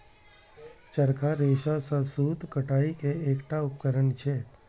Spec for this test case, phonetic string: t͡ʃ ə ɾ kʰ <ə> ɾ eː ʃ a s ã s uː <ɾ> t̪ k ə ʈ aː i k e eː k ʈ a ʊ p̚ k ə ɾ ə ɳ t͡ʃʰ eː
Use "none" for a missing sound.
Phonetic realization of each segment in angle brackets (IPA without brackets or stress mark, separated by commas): a, none